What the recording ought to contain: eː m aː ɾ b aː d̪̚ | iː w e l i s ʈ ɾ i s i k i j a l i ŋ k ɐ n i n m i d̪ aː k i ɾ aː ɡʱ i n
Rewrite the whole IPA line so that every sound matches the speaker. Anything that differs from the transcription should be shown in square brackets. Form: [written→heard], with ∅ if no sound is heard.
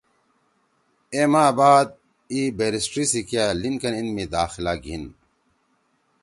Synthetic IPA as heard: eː m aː [ɾ→∅] b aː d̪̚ | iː [w→b] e [l→ɾ] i s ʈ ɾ i s i k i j a l i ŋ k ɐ n i n m i d̪ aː [k→x] i [ɾ→l] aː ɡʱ i n